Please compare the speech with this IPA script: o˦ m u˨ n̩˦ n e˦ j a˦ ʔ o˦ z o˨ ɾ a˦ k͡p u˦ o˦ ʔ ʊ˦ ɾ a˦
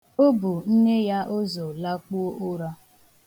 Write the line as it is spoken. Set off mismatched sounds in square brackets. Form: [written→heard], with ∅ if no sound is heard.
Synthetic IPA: o˦ [m→b] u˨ n̩˦ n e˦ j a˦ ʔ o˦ z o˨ [ɾ→l] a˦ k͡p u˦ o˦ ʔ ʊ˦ ɾ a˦